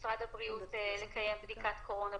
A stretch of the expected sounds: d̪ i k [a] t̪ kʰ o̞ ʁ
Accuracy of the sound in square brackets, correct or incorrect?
correct